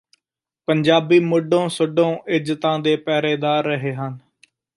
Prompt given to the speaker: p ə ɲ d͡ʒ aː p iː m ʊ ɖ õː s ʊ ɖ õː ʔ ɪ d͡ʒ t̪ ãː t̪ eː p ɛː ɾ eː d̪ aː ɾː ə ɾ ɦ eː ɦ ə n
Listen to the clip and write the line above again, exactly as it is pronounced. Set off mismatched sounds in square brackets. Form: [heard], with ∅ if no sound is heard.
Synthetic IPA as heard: p ə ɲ d͡ʒ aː [b] iː m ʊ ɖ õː s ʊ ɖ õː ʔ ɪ d͡ʒ t̪ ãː [d̪] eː p ɛː ɾ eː d̪ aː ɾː ə [∅] ɦ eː ɦ ə n